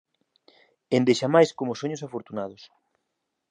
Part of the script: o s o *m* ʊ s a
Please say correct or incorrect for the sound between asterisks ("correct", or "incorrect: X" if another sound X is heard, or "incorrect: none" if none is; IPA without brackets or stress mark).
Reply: incorrect: ɲ